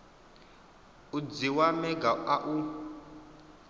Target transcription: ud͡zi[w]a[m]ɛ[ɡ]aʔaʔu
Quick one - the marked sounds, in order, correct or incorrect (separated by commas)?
correct, correct, correct